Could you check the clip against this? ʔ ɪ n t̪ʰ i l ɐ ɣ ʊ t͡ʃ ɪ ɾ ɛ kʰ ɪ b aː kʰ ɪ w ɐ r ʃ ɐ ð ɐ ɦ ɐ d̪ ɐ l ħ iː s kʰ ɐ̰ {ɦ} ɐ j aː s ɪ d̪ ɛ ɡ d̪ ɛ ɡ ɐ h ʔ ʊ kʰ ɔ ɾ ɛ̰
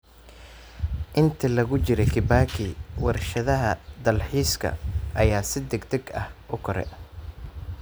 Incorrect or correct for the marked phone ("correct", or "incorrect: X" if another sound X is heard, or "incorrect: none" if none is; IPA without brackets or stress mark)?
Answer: incorrect: none